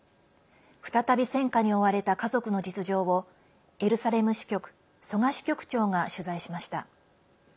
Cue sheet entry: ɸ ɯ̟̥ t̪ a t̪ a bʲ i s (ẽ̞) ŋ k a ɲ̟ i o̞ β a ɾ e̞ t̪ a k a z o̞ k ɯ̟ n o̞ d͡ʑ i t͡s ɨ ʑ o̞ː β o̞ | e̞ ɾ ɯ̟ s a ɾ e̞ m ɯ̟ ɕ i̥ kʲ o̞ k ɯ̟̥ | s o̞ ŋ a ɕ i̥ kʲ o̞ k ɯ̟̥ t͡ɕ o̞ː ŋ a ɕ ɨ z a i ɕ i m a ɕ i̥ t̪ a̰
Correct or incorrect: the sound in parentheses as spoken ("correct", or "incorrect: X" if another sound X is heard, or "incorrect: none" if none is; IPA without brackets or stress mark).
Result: correct